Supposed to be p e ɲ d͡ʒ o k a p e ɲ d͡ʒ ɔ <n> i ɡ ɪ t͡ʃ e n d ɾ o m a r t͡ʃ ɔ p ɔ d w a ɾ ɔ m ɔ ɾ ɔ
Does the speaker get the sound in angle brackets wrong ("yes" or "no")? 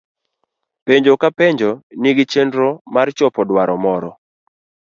no